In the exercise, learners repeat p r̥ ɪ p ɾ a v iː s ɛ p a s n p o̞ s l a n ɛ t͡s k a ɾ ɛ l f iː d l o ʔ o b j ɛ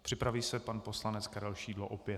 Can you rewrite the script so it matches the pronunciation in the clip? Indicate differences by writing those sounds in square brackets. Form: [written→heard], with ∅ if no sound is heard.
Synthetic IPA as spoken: p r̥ ɪ p ɾ a v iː s ɛ p a [s→∅] n p o̞ s l a n ɛ t͡s k a ɾ ɛ l [f→ʃ] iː d l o ʔ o [b→p] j ɛ